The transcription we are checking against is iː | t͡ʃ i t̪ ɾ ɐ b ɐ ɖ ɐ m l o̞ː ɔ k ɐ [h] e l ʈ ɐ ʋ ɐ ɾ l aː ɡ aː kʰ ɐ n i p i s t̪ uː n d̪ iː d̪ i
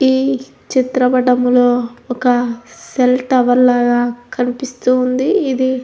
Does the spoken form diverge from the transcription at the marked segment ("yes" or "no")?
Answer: yes